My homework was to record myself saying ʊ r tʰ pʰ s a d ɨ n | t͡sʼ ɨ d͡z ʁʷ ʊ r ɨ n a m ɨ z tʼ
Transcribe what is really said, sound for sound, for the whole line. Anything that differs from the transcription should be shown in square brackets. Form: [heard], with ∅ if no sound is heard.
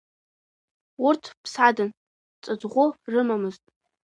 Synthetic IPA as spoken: ʊ r tʰ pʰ s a d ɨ n | t͡sʼ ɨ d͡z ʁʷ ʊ r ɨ [m] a m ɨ z tʼ